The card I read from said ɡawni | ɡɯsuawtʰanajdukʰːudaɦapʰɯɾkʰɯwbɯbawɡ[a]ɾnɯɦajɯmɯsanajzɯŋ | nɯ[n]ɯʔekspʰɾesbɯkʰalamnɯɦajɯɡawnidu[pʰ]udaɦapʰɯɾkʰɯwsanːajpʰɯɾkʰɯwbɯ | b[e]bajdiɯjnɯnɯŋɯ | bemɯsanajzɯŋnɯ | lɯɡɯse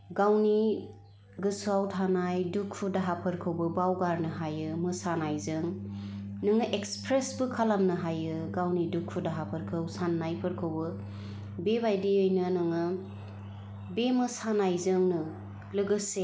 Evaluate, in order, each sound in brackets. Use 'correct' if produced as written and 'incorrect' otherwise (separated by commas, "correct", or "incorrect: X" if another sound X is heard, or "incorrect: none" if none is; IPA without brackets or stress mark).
correct, incorrect: ŋ, incorrect: kʰ, correct